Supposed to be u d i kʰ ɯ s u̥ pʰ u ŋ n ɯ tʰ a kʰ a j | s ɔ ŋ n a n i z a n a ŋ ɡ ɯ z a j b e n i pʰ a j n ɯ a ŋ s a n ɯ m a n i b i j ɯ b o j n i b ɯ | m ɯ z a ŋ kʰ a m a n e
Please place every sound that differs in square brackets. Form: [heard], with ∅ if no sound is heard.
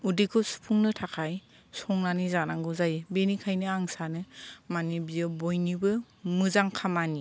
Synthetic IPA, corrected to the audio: u d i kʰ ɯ s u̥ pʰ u ŋ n ɯ tʰ a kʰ a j | s ɔ ŋ n a n i z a n a ŋ ɡ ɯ z a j b e n i [kʰ] a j n ɯ a ŋ s a n ɯ m a n i b i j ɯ b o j n i b ɯ | m ɯ z a ŋ kʰ a m a n [i]